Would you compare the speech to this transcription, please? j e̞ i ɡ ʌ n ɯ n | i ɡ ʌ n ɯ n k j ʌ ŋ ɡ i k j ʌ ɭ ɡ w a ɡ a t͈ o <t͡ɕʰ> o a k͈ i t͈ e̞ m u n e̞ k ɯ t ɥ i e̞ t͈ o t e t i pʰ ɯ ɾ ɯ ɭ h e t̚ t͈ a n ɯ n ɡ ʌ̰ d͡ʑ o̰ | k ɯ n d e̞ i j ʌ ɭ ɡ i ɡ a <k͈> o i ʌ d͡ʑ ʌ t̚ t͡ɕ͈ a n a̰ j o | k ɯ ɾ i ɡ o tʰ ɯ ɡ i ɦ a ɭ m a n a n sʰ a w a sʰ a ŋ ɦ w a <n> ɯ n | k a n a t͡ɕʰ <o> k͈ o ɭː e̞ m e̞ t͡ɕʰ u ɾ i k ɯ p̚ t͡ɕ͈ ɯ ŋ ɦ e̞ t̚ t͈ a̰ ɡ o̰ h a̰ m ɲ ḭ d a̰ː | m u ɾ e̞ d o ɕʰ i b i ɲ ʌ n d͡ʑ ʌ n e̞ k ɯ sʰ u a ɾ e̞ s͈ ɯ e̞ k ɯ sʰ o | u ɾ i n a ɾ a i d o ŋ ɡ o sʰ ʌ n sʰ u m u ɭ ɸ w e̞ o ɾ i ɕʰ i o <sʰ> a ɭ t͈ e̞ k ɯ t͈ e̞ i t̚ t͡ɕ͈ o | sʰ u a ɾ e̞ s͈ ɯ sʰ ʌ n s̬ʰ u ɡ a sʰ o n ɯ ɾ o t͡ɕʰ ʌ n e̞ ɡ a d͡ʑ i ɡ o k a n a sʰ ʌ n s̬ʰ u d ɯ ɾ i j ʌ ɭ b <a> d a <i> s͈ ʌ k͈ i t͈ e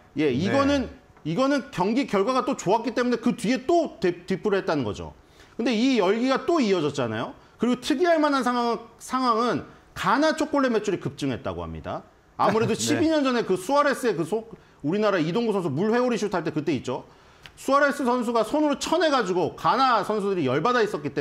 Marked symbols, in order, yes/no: no, no, no, yes, no, yes, yes

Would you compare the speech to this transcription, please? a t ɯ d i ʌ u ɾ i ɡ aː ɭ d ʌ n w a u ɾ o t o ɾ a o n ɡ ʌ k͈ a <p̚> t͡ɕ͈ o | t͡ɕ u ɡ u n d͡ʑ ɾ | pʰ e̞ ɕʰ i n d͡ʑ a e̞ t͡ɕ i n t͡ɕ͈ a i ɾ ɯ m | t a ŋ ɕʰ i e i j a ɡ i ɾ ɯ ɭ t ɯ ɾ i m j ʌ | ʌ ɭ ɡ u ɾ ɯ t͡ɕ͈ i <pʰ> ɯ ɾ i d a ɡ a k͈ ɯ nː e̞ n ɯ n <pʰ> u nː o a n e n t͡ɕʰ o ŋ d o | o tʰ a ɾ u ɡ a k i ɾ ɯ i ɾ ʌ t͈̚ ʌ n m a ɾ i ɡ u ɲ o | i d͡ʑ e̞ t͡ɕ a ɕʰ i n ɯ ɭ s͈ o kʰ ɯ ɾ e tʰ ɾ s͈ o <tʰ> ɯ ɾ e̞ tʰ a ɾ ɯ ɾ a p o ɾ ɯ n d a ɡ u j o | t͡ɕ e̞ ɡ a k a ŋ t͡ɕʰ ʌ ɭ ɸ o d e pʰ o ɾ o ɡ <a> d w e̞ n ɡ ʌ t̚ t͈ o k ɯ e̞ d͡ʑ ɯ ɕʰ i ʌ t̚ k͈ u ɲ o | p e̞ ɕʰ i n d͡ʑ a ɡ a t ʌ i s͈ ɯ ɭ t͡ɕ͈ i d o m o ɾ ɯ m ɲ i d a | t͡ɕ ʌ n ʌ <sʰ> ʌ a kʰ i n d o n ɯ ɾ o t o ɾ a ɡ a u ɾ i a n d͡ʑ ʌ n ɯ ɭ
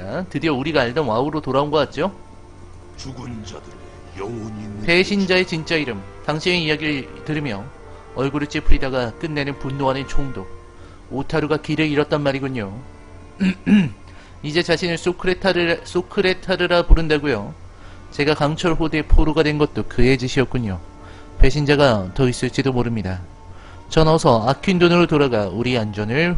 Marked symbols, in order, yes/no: no, yes, no, no, yes, yes

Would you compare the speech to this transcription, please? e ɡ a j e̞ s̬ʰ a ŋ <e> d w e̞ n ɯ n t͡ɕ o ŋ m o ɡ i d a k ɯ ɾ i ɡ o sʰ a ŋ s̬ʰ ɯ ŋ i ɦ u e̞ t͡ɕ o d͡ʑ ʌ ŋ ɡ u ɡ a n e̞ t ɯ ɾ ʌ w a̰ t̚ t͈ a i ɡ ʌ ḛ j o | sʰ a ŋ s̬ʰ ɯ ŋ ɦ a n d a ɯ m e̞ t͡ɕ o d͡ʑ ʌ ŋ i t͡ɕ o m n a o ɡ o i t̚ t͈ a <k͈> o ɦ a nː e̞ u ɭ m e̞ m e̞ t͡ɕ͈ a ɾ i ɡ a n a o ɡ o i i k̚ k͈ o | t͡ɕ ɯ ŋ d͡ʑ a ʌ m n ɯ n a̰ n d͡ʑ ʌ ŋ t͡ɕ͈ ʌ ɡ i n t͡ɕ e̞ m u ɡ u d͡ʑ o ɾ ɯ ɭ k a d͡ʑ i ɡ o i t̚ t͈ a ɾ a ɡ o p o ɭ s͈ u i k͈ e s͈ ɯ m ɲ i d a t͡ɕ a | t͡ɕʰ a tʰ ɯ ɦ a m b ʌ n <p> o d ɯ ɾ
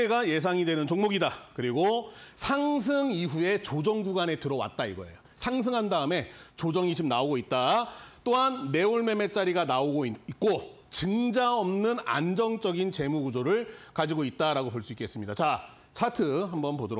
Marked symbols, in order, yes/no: no, no, yes

